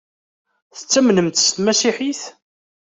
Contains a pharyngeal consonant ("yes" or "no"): yes